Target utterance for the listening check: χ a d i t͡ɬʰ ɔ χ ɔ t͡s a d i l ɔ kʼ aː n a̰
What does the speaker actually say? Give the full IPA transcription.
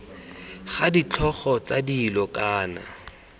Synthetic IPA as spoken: χ a d i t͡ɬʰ ɔ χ ɔ t͡s a d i l ɔ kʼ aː n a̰